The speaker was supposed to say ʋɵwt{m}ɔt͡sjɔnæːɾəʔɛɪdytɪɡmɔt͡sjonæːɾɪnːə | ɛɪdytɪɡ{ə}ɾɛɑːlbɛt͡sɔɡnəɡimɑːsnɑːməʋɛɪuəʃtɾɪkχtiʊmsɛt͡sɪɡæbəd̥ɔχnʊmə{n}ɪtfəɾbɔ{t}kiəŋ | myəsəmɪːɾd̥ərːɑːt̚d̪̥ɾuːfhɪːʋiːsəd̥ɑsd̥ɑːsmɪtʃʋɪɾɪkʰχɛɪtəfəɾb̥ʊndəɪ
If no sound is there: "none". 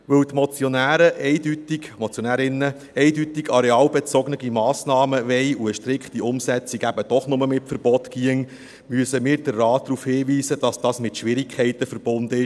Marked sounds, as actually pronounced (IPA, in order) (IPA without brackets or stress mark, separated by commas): m, ɑ, m, t